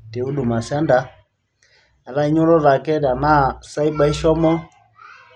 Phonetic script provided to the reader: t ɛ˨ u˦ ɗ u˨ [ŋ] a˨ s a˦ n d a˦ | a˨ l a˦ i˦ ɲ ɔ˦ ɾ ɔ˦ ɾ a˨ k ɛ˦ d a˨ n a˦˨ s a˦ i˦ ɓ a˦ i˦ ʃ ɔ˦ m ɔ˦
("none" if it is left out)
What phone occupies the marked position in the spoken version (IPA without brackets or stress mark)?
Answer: m